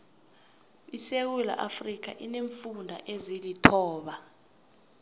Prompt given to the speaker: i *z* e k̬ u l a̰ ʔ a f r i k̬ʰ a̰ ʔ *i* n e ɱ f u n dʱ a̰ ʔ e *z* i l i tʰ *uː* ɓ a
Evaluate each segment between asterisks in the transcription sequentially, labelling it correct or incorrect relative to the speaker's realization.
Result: incorrect, correct, correct, incorrect

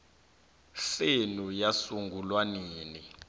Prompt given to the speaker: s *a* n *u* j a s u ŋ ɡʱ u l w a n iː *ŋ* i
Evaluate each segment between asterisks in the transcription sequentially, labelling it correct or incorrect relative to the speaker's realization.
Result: incorrect, correct, incorrect

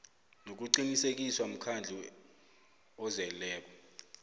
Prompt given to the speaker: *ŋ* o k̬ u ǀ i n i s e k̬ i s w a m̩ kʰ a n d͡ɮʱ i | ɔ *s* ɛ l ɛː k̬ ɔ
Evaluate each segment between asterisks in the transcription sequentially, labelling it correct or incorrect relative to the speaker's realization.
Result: incorrect, incorrect

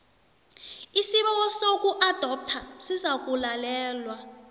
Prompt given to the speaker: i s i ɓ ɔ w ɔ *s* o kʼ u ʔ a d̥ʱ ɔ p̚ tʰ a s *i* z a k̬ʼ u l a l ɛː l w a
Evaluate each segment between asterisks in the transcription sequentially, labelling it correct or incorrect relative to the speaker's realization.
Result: correct, correct

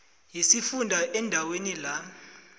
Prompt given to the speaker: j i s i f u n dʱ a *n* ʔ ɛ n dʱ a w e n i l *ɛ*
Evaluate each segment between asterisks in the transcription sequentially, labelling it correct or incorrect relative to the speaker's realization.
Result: incorrect, incorrect

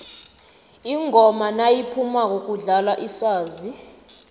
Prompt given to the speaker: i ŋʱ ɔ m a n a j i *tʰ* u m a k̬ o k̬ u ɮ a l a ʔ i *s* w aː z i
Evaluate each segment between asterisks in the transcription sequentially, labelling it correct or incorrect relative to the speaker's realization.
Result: incorrect, correct

